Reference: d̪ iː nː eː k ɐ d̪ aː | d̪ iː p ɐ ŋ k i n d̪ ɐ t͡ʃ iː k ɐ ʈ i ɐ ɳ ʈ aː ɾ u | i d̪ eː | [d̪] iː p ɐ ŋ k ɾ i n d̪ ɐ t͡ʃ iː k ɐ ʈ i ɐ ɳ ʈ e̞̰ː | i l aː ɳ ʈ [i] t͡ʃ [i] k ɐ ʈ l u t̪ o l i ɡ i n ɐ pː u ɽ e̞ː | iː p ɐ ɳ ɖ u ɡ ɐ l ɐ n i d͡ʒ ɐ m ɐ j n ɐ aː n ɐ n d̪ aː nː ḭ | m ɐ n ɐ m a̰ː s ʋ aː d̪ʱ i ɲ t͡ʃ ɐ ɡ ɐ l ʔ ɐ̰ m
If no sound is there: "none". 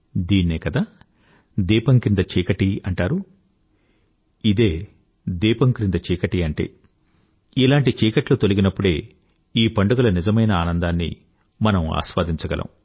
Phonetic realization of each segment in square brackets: d̪, i, iː

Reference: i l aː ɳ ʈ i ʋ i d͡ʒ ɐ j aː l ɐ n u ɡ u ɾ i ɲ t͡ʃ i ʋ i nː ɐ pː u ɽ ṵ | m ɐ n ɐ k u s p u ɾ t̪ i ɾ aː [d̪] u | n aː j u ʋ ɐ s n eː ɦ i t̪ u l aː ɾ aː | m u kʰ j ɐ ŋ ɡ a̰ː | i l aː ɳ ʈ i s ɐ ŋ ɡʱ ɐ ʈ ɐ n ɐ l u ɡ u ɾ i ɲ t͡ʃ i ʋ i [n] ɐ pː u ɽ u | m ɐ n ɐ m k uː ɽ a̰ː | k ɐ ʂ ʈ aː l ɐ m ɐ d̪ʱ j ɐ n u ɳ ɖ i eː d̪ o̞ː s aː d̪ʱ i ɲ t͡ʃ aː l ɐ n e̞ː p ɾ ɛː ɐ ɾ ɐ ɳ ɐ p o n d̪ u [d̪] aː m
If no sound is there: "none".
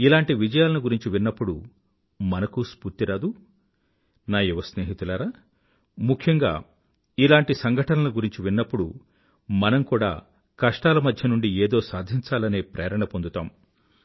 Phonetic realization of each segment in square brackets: d̪, nː, t̪

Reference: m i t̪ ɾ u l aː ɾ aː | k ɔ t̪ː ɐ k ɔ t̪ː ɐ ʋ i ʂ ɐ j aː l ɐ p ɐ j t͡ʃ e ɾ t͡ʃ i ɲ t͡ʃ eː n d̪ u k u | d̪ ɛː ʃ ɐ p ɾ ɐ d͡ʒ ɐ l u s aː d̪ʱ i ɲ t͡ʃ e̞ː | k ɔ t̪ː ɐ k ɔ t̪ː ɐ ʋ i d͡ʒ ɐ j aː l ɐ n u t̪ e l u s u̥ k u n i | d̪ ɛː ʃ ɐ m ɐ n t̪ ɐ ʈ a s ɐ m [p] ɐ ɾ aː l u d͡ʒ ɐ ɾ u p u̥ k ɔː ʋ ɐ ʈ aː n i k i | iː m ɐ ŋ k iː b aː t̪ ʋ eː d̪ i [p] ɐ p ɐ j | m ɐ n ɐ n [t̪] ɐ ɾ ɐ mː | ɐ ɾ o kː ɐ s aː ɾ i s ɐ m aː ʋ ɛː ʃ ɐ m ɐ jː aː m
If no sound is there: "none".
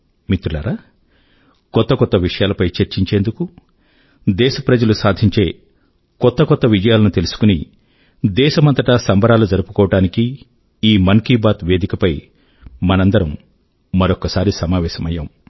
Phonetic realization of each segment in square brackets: b, k, d̪

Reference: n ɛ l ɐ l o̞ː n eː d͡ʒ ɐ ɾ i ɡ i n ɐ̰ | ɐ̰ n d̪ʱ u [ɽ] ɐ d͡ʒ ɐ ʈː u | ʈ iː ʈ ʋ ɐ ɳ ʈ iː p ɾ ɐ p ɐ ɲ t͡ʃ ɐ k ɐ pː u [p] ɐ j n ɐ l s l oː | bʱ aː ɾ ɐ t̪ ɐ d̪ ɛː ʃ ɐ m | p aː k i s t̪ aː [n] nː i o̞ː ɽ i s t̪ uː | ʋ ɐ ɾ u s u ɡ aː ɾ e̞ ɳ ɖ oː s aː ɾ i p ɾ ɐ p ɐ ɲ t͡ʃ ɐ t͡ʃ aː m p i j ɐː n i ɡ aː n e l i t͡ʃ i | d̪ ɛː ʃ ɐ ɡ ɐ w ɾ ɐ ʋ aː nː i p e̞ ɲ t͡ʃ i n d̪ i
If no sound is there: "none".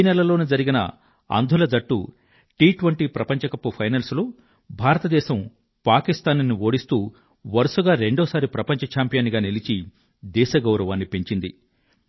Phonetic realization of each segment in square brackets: l, pʰ, n

